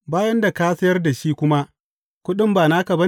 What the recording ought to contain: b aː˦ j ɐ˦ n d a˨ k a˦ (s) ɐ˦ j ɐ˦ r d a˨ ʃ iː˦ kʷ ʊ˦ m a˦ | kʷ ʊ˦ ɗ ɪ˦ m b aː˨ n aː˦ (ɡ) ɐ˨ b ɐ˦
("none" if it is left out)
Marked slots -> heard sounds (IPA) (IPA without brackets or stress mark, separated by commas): s, k